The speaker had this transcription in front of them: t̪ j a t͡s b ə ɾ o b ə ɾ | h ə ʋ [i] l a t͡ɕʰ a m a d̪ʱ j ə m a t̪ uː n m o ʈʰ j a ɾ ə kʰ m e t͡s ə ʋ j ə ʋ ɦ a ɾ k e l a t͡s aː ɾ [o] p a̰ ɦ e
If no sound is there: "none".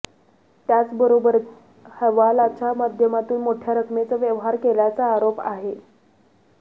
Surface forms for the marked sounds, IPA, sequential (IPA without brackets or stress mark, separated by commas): a, o